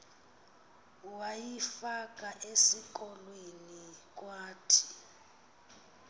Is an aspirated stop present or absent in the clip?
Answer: present